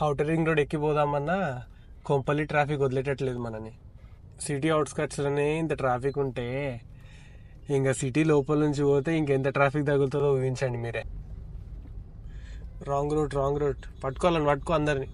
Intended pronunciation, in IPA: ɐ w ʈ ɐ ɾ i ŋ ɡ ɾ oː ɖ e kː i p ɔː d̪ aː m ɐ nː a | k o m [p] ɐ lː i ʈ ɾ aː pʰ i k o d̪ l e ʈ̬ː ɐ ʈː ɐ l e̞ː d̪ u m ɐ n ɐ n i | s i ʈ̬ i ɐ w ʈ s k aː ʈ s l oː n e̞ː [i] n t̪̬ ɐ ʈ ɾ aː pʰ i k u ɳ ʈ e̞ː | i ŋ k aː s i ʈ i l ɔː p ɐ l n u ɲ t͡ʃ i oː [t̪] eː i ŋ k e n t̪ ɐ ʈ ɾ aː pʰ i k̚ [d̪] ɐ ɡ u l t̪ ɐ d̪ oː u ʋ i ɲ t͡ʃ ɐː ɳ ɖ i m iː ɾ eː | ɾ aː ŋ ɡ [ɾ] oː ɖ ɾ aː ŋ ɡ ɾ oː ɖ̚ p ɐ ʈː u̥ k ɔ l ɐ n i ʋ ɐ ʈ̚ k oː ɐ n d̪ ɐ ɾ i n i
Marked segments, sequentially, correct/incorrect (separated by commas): correct, correct, correct, correct, correct